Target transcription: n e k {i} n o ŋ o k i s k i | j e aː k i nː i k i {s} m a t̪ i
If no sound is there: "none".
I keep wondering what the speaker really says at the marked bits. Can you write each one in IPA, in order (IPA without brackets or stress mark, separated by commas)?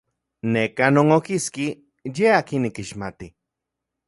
a, ʃ